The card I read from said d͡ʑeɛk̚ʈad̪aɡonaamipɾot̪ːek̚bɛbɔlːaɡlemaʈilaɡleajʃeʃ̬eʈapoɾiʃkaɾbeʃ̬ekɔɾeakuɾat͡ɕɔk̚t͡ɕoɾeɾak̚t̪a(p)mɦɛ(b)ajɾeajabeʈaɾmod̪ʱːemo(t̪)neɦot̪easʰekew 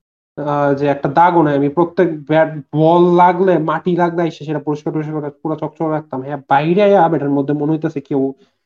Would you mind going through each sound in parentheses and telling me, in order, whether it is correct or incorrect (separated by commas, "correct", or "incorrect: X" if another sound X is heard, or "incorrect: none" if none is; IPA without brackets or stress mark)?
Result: incorrect: none, correct, incorrect: none